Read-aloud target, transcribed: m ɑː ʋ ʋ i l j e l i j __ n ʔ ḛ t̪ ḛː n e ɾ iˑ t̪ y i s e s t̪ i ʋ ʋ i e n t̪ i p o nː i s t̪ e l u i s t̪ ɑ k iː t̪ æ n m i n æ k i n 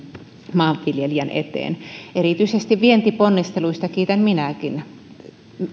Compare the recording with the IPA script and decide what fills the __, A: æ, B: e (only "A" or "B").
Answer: A